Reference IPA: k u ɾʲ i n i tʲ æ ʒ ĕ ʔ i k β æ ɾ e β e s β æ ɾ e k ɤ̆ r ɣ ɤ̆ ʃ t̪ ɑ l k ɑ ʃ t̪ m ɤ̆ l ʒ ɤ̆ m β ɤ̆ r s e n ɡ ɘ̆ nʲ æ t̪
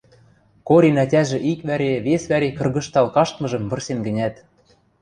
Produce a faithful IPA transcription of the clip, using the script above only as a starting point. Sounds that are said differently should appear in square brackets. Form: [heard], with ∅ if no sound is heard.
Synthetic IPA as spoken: k [o] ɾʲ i n [æ] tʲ æ ʒ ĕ ʔ i k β æ ɾ e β e s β æ ɾ e k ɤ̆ r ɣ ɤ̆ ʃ t̪ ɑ l k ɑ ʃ t̪ m ɤ̆ [∅] ʒ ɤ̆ m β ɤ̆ r s e n ɡ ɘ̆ nʲ æ t̪

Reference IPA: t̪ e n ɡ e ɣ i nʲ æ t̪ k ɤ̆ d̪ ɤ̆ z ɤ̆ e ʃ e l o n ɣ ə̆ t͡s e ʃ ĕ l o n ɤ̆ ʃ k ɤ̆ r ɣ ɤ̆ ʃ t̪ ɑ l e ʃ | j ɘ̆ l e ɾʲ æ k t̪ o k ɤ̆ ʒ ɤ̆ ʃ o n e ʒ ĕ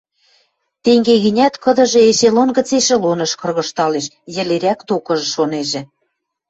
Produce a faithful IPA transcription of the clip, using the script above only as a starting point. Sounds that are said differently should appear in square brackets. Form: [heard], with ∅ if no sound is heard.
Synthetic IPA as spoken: t̪ e [ŋ] ɡ e ɣ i nʲ æ t̪ k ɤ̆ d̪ ɤ̆ [ʒ] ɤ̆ e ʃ e l o n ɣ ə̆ t͡s e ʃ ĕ l o n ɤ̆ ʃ k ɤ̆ r ɣ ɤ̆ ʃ t̪ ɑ l e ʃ | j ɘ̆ l e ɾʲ æ k t̪ o k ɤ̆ ʒ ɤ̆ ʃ o n e ʒ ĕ

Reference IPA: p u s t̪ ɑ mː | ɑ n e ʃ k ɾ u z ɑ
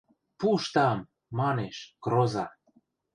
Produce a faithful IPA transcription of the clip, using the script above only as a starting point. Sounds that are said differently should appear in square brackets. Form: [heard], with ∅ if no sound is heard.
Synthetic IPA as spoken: p u [ʃ] t̪ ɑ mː | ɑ n e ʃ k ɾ [o] z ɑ

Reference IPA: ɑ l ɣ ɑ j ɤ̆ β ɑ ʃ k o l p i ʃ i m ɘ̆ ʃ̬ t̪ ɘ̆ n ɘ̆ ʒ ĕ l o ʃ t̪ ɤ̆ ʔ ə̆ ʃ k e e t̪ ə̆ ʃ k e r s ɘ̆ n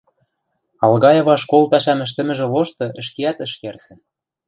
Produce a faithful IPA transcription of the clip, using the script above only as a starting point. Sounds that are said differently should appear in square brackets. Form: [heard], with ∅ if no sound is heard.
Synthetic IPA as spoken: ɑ l ɣ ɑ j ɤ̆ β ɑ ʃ k o l p [æ] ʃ [æ] m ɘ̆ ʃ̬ t̪ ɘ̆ [m] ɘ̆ ʒ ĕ l o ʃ t̪ ɤ̆ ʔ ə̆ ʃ k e [æ] t̪ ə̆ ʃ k e r s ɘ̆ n

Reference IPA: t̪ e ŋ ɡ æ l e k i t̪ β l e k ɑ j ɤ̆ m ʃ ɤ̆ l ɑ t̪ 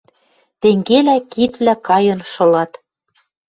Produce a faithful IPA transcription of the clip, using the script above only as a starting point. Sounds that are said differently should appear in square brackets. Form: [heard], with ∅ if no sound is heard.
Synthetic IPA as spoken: t̪ e ŋ ɡ [e] l [æ] k i t̪ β l [æ] k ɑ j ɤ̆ [n] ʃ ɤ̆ l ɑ t̪

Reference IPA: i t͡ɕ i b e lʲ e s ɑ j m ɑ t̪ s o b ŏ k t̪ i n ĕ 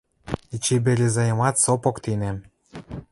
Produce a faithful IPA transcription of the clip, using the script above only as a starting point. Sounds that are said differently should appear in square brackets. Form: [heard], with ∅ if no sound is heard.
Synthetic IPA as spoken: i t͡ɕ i b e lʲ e [z] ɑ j m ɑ t̪ s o [p] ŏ k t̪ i n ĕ

